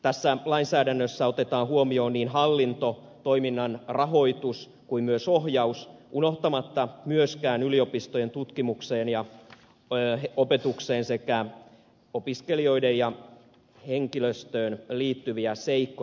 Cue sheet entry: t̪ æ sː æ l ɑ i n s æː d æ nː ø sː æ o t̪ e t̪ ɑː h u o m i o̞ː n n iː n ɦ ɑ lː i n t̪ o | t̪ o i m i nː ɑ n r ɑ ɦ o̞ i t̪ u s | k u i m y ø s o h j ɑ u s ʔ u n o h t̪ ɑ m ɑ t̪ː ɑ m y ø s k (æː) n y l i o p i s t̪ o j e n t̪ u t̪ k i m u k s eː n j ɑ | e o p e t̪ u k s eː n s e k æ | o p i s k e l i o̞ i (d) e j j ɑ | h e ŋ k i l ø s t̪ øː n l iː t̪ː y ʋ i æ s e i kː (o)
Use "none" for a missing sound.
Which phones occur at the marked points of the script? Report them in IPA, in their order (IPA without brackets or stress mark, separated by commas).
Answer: æː, d, o